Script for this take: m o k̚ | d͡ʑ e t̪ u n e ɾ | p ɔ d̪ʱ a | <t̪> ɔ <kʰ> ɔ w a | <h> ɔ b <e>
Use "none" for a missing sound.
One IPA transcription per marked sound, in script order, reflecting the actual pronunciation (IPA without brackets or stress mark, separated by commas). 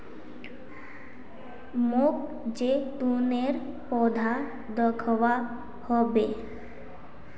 d̪, kʰ, h, e